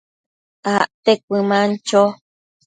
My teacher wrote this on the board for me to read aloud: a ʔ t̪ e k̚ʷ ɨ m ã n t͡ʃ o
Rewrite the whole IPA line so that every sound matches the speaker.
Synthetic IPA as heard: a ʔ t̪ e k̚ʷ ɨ m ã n t͡ʃ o

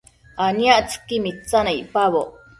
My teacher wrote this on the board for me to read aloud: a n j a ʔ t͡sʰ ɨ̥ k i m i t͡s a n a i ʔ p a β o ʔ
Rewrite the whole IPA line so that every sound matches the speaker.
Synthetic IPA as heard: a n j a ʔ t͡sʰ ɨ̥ k i m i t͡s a n a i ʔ p a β o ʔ

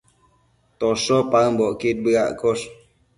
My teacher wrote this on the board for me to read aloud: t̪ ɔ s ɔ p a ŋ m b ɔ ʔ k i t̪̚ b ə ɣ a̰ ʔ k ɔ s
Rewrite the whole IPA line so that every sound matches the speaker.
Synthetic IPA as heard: t̪ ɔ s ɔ p a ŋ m b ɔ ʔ k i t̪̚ b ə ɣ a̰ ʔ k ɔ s

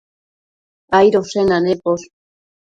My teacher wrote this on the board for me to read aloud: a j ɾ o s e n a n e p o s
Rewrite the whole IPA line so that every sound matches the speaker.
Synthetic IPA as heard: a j ɾ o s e n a n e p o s

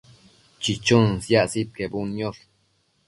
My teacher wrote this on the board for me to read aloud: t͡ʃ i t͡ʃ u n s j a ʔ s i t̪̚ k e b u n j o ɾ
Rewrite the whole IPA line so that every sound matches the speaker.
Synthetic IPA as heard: t͡ʃ i t͡ʃ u n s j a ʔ s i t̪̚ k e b u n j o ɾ

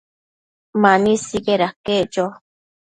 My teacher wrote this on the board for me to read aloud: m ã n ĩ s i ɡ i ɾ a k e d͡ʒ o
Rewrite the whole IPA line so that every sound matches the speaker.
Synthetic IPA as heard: m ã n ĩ s i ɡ e ɾ a k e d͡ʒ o

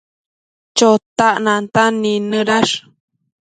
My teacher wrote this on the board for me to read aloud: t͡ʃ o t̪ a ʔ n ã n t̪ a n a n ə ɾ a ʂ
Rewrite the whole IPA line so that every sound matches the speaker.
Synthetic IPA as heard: t͡ʃ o t̪ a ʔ n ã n t̪ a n i n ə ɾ a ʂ

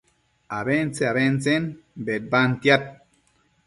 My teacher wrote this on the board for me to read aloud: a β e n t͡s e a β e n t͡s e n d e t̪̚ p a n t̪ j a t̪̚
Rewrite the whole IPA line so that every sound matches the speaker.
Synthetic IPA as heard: a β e n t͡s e a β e n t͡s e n b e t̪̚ b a n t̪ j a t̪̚

